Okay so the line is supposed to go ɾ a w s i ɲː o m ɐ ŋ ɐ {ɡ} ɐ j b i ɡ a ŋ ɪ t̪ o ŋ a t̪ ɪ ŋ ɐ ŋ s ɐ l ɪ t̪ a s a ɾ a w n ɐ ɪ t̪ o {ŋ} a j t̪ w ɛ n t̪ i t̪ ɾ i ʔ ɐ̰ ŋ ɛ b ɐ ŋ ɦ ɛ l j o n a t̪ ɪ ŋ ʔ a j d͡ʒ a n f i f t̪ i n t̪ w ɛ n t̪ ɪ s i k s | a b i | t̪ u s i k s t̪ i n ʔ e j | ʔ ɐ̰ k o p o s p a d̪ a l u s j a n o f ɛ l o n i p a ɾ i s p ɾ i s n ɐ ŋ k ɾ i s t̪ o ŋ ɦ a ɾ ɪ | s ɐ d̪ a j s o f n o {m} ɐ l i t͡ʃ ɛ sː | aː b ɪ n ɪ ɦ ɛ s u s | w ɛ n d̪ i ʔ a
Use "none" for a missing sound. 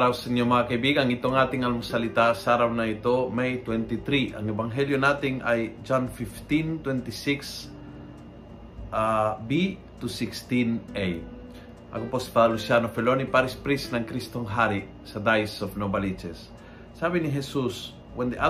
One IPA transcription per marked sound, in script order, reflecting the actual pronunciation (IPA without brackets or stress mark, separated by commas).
k, m, b